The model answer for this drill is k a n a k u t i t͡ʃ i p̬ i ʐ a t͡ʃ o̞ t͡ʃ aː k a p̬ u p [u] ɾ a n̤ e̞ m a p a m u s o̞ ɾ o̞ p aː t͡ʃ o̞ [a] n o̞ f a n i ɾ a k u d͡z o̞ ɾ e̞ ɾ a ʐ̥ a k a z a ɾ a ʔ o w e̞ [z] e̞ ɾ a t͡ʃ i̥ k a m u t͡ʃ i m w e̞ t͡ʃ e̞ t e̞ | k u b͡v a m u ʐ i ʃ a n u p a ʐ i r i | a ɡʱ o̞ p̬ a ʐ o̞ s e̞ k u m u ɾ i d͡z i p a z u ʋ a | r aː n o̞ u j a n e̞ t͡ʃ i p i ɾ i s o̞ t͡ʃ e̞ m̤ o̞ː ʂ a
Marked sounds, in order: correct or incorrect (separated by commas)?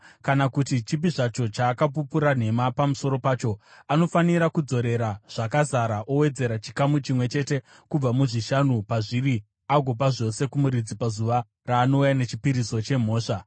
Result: correct, correct, incorrect